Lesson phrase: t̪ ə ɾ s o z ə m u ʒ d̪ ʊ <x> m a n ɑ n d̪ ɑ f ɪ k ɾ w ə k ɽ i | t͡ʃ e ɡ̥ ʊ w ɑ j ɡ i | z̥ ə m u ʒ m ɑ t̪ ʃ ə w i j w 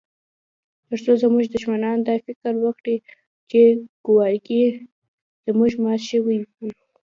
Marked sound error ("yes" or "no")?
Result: yes